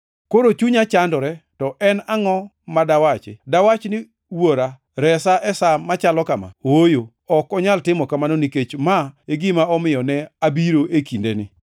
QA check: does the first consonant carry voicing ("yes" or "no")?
no